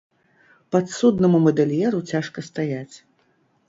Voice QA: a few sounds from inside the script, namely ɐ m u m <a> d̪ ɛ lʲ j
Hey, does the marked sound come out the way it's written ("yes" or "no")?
no